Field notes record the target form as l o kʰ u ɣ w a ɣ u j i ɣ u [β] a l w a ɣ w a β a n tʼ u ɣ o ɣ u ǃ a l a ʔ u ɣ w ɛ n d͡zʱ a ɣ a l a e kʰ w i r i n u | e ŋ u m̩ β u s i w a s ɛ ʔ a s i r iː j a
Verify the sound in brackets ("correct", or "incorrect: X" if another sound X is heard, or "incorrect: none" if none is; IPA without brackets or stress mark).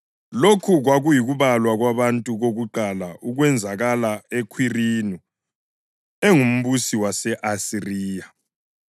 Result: correct